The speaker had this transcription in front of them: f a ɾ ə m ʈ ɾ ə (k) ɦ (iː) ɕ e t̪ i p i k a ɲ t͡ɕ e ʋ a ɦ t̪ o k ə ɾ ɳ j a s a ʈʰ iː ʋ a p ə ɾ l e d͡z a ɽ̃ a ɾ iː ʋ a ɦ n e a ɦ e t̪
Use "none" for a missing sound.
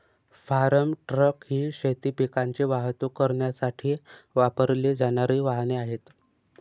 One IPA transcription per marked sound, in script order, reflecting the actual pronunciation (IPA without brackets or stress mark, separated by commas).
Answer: k, iː